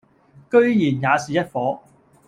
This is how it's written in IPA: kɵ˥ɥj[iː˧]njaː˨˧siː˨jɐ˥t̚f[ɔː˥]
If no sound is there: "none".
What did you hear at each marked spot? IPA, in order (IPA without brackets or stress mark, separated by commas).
iː˨˩, ɔː˨˥